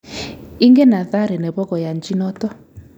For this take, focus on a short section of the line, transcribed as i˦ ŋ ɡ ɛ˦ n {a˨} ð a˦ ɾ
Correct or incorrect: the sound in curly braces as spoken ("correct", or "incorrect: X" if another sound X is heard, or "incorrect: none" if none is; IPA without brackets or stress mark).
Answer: correct